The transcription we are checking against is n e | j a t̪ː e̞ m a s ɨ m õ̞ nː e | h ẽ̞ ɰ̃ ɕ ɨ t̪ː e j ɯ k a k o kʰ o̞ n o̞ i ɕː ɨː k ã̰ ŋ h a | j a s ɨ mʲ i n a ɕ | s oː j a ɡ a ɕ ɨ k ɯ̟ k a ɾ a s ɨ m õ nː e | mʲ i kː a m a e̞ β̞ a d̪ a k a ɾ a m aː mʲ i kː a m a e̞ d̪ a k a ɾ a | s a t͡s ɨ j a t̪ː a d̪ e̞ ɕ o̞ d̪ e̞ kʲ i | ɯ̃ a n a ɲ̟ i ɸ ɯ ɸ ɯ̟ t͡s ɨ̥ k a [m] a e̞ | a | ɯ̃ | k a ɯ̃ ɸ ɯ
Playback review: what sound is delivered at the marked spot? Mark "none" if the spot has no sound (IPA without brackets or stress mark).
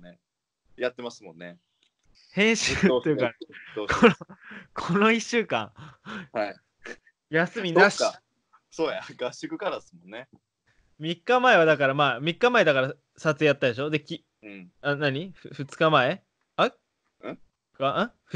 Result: m